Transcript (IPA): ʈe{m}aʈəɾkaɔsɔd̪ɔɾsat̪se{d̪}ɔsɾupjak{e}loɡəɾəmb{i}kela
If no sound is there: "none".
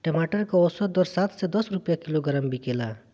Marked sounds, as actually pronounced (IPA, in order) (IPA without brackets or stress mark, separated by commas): m, d̪, i, i